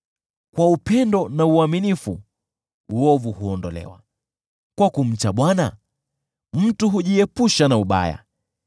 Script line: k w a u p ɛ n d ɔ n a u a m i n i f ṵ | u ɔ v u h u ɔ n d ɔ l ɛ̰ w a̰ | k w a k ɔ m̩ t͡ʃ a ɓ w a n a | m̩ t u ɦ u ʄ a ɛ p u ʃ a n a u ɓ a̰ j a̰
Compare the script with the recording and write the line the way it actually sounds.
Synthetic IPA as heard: k w a u p ɛ n d ɔ n a u a m i n i f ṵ | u ɔ v u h u ɔ n d ɔ l ɛ̰ w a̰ | k w a k u m̩ t͡ʃ a ɓ w a n a | m̩ t u ɦ u ʄ i ɛ p u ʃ a n a u ɓ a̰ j a̰